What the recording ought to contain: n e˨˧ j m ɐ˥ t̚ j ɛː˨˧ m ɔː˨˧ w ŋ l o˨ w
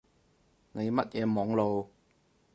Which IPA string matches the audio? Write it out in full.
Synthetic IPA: n e˨˧ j m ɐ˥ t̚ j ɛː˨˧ m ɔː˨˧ ŋ l o˨ w